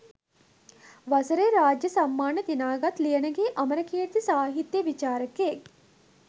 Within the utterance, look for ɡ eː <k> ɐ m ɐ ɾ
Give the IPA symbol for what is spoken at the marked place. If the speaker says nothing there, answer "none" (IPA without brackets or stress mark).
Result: ʔ